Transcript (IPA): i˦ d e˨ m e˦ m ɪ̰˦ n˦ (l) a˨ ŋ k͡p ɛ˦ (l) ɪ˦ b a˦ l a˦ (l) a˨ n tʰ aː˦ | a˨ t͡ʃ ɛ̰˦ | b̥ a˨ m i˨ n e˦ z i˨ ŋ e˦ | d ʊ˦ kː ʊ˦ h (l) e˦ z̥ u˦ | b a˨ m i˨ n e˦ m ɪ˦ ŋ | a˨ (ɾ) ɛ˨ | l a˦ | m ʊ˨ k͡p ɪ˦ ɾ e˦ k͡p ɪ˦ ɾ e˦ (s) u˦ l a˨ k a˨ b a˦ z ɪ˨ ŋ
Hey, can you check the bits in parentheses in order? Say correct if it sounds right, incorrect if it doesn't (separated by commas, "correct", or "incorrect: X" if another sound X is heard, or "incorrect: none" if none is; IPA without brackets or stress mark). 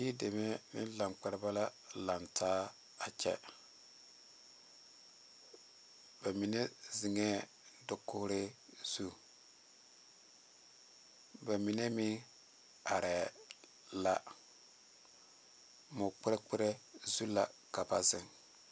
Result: correct, incorrect: ɾ, correct, incorrect: ɾ, correct, incorrect: z